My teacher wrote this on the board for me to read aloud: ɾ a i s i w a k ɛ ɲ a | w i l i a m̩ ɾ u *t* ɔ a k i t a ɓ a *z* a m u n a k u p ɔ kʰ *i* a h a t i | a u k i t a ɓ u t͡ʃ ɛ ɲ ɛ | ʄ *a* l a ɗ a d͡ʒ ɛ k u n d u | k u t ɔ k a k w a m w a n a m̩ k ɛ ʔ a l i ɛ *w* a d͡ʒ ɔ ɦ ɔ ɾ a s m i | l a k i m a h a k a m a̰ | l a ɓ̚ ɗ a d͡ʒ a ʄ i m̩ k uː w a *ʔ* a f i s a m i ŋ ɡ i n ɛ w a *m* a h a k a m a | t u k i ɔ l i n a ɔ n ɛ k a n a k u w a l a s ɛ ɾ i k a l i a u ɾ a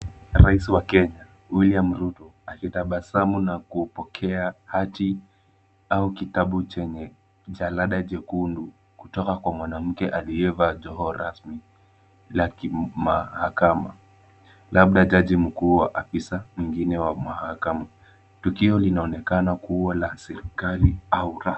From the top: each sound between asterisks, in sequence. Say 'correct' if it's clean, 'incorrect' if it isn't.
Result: correct, incorrect, incorrect, correct, incorrect, correct, correct

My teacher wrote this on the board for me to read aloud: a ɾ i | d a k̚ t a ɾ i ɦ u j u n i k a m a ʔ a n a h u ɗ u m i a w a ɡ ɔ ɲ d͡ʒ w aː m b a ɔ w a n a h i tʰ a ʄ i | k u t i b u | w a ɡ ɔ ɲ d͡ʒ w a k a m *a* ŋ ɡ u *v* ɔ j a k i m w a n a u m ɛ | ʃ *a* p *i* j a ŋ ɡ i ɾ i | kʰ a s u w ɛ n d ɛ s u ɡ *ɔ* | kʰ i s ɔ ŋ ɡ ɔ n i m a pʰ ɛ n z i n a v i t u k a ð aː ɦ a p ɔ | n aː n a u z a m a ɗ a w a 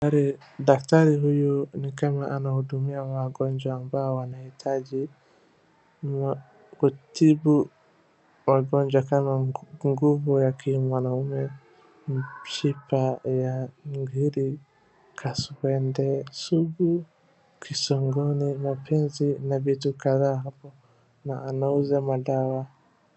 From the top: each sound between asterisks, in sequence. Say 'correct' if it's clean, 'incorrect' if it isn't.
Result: correct, correct, incorrect, incorrect, incorrect

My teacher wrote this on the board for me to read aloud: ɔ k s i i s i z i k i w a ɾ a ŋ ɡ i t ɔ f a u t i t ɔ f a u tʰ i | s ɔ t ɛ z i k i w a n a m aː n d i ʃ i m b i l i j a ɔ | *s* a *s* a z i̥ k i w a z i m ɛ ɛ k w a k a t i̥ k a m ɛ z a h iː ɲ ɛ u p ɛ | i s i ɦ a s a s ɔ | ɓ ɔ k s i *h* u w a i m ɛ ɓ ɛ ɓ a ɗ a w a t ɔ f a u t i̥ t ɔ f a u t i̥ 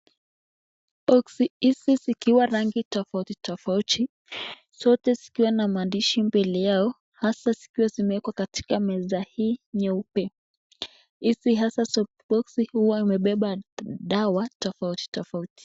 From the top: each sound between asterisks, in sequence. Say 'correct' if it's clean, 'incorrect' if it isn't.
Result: incorrect, correct, correct

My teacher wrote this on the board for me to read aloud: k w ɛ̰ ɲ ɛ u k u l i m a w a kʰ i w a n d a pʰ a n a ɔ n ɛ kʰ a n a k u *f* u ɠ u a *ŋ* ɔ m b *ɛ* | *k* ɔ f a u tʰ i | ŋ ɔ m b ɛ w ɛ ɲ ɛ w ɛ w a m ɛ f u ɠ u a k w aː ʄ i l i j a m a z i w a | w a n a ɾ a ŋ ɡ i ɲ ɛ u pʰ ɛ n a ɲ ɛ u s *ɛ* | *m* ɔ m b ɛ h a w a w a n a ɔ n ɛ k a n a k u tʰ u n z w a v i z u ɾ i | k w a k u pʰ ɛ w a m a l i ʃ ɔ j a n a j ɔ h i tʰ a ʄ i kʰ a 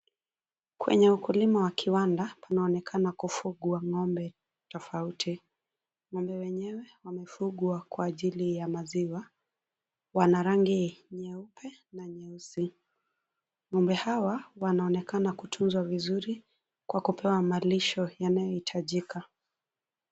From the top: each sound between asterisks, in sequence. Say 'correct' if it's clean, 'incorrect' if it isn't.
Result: correct, correct, correct, incorrect, incorrect, incorrect

